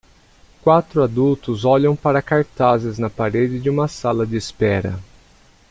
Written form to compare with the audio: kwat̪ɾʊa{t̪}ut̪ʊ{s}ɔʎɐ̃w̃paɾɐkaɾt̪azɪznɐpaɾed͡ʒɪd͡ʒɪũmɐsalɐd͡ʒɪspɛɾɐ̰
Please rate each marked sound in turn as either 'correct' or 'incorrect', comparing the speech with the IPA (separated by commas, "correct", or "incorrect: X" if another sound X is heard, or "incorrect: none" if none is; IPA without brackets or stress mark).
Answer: incorrect: d̪, incorrect: z